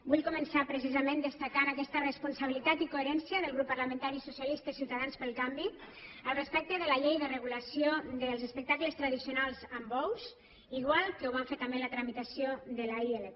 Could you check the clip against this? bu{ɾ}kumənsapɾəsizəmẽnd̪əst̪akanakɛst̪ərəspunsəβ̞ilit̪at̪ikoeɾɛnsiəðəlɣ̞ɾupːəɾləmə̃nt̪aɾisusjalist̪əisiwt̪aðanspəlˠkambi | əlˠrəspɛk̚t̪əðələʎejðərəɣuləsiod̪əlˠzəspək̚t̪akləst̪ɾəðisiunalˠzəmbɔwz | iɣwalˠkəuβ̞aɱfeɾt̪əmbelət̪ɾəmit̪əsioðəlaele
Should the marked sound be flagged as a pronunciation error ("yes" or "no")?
yes